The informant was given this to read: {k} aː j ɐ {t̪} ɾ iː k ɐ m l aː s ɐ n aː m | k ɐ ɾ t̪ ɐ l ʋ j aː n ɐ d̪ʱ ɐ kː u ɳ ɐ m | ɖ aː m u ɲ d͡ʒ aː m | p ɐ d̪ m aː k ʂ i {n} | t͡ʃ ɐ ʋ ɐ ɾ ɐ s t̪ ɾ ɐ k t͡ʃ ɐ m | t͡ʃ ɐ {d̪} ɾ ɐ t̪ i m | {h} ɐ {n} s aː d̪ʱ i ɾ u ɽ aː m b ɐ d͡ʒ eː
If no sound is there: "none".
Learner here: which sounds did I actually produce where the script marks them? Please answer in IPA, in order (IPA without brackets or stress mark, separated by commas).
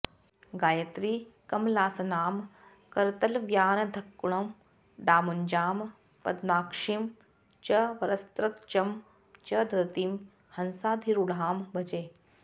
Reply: ɡ, t̪, m, d̪, h, n